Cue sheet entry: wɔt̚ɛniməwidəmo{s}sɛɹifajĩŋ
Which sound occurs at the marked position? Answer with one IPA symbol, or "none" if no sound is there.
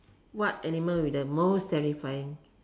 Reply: s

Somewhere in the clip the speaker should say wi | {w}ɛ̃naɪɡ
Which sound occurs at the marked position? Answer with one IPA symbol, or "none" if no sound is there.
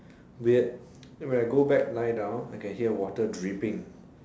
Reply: w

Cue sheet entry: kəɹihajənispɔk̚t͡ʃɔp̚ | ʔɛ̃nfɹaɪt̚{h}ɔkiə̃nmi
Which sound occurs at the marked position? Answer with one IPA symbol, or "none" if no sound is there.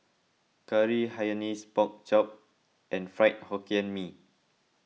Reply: h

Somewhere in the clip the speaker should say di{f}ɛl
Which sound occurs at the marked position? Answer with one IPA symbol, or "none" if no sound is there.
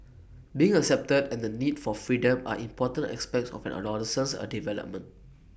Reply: v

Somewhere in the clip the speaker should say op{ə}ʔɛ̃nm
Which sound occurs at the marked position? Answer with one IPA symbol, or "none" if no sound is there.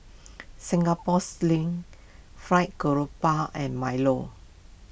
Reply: a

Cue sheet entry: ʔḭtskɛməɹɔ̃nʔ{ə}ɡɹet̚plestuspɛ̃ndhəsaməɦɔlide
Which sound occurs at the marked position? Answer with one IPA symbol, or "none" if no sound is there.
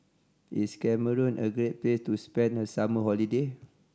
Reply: ə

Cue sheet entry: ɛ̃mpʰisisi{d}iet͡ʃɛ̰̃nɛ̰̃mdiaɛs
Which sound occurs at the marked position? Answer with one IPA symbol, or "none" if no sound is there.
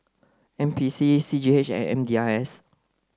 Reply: d͡ʒ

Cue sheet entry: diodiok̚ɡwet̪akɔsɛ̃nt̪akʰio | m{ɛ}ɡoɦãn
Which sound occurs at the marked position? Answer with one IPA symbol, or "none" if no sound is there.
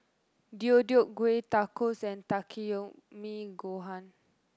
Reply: i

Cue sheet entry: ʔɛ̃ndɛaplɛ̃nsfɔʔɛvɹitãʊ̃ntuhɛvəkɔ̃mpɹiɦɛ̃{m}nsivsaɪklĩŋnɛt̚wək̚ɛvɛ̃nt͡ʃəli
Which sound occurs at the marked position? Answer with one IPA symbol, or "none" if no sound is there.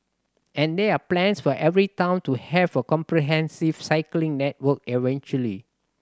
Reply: none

